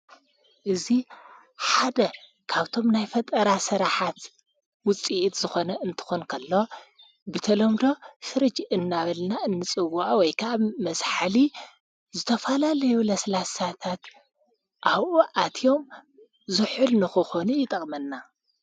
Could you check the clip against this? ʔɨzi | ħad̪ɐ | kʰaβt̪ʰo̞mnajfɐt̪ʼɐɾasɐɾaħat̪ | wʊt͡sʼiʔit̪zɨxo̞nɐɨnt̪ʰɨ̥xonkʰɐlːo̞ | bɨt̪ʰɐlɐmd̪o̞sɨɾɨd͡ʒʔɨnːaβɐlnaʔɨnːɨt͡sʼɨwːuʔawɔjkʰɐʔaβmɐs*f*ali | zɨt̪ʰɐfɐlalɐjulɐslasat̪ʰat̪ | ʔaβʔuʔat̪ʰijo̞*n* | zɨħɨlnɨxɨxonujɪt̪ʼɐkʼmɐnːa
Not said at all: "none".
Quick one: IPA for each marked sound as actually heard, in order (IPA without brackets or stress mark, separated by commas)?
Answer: ħ, m